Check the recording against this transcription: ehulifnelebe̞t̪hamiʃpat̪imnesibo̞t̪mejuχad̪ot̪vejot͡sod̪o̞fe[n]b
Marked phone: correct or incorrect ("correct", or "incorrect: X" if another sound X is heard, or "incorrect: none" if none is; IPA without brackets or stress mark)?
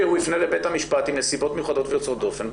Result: correct